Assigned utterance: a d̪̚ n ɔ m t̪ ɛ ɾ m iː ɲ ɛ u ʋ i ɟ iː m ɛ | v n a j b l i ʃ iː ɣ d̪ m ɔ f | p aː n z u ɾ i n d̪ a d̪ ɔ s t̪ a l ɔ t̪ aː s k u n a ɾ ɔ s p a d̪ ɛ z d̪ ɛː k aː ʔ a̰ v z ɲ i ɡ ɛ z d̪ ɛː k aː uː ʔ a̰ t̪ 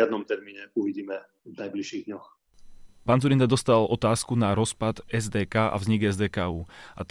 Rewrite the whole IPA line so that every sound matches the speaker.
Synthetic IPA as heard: a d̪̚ n ɔ m t̪ ɛ ɾ m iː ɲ ɛ u ʋ i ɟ iː m ɛ | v n a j b l i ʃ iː ɣ d̪ ɲ ɔ x | p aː n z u ɾ i n d̪ a d̪ ɔ s t̪ a l ɔ t̪ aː s k u n a ɾ ɔ s p a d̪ ɛ z d̪ ɛː k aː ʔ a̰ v z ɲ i ɡ ɛ z d̪ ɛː k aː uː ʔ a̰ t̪